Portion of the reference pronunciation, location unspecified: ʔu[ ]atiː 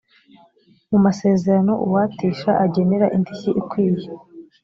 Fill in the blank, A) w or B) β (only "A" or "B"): A